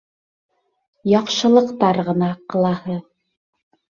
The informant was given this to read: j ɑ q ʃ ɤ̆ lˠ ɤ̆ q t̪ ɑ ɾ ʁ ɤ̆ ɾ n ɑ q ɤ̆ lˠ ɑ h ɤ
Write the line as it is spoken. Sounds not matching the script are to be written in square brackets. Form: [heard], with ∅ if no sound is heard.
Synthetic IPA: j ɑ q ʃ ɤ̆ lˠ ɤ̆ q t̪ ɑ ɾ ʁ ɤ̆ [∅] n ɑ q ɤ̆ lˠ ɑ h ɤ